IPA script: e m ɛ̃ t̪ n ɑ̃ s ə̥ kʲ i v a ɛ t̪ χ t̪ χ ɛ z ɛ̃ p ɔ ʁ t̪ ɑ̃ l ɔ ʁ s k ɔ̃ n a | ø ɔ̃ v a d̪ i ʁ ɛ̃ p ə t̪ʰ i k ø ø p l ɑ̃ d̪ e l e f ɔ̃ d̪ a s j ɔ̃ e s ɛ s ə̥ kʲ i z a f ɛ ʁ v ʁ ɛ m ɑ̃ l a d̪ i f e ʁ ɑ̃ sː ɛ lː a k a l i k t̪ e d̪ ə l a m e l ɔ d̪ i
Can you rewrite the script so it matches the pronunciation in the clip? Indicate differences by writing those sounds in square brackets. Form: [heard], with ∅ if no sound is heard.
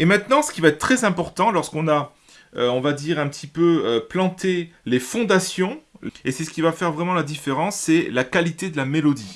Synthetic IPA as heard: e m ɛ̃ t̪ n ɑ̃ s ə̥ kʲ i v a ɛ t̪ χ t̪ χ ɛ z ɛ̃ p ɔ ʁ t̪ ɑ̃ l ɔ ʁ s k ɔ̃ n a | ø ɔ̃ v a d̪ i ʁ ɛ̃ p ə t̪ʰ i [p] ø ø p l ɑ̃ [t̪] e l e f ɔ̃ d̪ a s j ɔ̃ e s ɛ s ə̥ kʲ i [v] a f ɛ ʁ v ʁ ɛ m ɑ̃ l a d̪ i f e ʁ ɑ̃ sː ɛ [l] a k a l i [∅] t̪ e d̪ ə l a m e l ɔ d̪ i

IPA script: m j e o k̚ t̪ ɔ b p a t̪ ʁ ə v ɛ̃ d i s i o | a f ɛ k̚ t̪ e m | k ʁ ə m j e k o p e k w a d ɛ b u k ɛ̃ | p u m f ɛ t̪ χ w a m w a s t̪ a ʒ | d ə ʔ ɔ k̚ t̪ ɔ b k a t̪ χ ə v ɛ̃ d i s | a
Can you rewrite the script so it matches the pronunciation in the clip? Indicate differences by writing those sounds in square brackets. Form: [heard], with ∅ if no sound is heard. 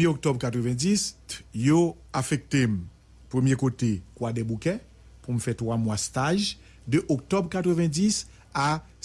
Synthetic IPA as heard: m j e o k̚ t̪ ɔ b [k] a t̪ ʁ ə v ɛ̃ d i s [j] o | a f ɛ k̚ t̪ e m | [p] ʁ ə m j e k o [t] e k w a d ɛ b u k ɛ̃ | p u m f ɛ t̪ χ w a m w a s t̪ a ʒ | d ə ʔ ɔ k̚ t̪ ɔ b k a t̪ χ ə v ɛ̃ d i s | a

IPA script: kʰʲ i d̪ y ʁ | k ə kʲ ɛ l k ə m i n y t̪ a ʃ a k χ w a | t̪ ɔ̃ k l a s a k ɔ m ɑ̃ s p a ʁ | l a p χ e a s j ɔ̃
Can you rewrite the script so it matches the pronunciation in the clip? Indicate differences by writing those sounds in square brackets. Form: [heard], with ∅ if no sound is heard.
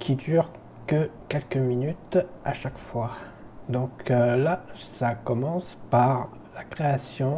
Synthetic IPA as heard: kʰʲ i d̪ y ʁ | k ə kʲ ɛ l k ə m i n y t̪ a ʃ a k [f] w a | [d̪] ɔ̃ k l a s a k ɔ m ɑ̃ s p a ʁ | l a [k] χ e a s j ɔ̃

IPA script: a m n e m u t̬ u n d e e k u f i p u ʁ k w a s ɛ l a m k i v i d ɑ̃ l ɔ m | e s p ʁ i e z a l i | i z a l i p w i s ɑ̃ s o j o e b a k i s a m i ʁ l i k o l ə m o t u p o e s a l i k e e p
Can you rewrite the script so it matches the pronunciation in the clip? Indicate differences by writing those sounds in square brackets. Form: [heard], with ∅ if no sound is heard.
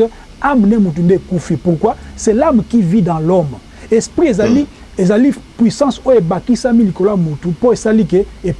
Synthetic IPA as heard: a m n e m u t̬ u n d e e k u f i p u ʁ k w a s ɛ l a m k i v i d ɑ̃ l ɔ m | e s p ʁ i e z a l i | [e] z a l i p w i s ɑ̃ s o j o e b a k i s a m i [∅] l i k o l [a] m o t u p o e s a l i k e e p

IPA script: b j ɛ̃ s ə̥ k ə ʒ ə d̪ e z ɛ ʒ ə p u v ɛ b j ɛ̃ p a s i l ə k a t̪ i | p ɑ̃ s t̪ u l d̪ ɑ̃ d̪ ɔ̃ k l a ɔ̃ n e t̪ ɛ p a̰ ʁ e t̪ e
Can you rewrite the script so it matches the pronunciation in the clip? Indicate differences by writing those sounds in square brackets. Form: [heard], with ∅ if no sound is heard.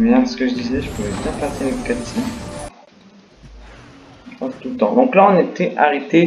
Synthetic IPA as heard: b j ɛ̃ s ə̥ k ə ʒ ə d̪ [i] z ɛ ʒ ə p u v ɛ b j ɛ̃ p a s [e] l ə k a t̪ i | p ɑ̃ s t̪ u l [t̪] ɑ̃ d̪ ɔ̃ k l a ɔ̃ n e t̪ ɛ [ʔ] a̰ ʁ e t̪ e

